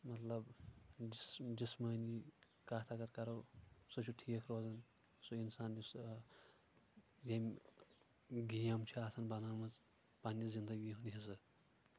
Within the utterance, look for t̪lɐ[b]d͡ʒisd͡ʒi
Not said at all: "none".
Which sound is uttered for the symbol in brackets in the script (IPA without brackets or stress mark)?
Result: b